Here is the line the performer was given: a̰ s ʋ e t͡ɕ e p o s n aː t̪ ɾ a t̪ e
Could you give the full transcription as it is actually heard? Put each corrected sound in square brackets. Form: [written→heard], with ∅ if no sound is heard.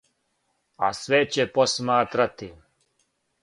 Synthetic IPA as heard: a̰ s ʋ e t͡ɕ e p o s [n→m] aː t̪ ɾ a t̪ [e→i]